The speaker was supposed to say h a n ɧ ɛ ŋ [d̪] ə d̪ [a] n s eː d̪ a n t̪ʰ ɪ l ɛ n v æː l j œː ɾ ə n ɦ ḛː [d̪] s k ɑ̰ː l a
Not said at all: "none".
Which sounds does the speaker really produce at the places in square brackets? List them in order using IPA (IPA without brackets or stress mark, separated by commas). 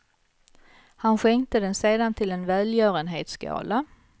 t̪, ɛ, t̪